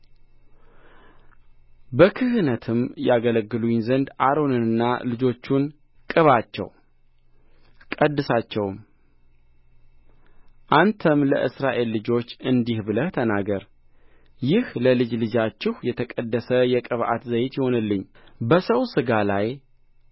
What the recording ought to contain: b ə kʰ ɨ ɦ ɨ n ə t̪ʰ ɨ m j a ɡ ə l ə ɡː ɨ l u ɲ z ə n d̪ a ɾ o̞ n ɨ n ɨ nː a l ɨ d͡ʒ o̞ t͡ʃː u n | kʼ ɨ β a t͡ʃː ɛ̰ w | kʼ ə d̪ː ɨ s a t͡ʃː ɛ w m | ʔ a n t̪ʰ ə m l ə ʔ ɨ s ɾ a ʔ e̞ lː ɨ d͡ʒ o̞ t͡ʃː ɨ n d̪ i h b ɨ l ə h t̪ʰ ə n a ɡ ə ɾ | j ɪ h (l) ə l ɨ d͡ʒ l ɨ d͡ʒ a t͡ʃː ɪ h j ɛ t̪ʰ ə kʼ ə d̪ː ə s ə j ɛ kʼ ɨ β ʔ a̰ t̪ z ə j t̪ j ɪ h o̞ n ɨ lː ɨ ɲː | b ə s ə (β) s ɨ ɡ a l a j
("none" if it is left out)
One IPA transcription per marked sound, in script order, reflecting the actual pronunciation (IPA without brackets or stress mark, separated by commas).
l, w